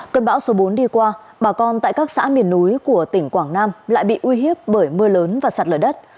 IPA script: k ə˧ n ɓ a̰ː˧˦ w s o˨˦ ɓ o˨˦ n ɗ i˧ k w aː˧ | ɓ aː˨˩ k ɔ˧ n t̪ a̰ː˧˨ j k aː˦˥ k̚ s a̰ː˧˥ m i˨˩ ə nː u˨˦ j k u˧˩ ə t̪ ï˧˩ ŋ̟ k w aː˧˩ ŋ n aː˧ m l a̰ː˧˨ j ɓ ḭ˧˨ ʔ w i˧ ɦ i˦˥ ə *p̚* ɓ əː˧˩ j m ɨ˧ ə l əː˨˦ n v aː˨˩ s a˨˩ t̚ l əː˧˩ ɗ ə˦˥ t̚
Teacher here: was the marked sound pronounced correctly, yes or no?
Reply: yes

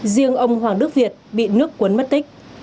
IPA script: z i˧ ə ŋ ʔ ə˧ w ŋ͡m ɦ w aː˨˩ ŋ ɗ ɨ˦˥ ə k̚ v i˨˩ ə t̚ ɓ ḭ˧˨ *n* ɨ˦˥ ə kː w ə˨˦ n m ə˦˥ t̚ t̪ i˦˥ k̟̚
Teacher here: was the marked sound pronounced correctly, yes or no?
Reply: yes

